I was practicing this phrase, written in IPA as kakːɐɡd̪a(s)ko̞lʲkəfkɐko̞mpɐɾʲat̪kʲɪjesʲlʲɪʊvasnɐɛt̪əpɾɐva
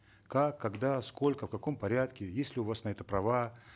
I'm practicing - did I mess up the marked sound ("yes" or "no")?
no